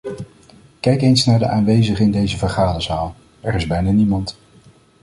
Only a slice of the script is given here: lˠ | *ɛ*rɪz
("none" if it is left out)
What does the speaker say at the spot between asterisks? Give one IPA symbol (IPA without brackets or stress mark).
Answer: ɛ